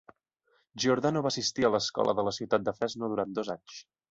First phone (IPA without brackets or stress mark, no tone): ʒ